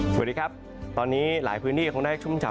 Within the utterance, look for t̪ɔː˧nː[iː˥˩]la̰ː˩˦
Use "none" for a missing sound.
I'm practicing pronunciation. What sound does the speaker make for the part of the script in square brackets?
iː˦˥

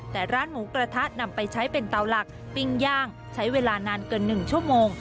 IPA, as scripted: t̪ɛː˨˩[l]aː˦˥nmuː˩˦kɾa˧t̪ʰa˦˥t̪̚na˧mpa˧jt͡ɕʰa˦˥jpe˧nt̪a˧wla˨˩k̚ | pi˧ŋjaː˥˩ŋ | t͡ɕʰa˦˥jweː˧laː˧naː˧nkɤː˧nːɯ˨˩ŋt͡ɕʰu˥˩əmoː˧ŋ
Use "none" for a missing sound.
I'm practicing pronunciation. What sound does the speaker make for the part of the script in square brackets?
ɾ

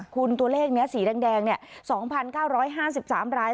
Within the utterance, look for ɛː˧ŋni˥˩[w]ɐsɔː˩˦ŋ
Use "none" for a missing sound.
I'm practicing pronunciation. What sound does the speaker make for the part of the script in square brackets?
none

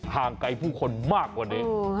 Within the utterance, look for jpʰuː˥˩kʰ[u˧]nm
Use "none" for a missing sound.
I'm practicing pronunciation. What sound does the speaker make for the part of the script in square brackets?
o˧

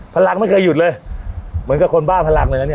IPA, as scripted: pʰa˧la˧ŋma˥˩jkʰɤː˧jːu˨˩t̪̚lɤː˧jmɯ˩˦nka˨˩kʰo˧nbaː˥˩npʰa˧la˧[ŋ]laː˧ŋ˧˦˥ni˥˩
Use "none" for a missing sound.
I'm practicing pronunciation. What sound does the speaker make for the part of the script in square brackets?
ŋ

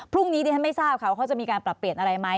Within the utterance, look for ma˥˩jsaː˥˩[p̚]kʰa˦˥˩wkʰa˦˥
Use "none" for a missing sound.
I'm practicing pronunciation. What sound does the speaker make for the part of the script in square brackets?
p̚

